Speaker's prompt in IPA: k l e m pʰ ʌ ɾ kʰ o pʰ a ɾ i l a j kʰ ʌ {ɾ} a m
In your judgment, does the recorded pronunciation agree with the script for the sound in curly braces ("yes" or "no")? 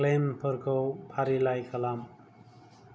no